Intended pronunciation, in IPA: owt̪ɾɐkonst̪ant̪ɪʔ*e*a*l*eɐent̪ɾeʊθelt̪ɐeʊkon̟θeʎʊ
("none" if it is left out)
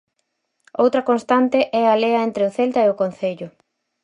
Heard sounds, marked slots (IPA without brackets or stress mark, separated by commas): ɛ, l